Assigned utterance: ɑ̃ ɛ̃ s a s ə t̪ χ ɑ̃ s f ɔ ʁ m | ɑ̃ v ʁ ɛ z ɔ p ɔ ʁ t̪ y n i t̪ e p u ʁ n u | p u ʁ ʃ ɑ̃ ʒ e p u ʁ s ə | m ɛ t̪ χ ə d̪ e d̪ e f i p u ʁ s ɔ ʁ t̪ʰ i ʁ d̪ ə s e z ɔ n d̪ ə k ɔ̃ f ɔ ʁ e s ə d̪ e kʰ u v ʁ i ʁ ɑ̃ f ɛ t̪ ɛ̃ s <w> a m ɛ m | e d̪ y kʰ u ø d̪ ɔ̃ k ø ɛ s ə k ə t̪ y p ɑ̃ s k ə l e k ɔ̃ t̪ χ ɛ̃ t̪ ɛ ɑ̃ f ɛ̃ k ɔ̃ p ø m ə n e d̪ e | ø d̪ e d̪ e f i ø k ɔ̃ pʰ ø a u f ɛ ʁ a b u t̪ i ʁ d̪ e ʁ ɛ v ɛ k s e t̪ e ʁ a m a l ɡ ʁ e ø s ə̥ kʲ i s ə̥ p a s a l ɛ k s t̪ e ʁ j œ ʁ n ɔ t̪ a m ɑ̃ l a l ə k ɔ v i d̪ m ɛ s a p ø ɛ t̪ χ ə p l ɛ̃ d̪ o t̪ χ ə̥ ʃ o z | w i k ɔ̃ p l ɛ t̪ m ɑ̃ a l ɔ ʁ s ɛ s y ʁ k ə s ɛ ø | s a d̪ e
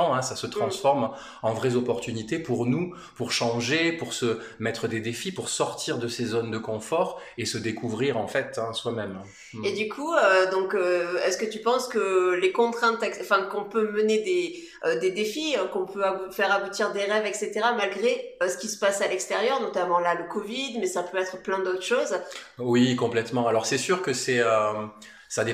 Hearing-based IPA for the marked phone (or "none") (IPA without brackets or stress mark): w